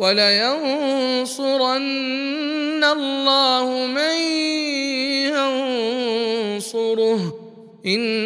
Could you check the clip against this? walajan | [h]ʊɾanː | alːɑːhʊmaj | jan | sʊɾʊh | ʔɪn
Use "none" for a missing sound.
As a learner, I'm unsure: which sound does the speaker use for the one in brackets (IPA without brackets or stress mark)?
s